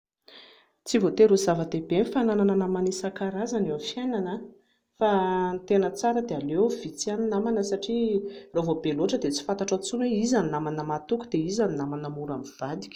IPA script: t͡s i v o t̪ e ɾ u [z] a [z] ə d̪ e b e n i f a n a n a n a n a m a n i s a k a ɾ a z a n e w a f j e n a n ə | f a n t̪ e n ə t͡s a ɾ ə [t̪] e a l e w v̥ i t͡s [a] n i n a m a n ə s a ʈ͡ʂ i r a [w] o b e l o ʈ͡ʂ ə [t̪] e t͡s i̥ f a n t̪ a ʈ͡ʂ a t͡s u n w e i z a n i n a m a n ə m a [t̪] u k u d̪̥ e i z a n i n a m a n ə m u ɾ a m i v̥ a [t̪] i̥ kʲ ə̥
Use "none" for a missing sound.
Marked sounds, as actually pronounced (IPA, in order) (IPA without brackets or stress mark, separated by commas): z, v, d̪, a, v, d̪, t̪, d̪